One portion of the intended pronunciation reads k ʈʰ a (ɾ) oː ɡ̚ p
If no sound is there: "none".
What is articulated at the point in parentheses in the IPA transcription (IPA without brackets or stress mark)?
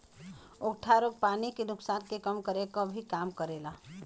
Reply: ɾ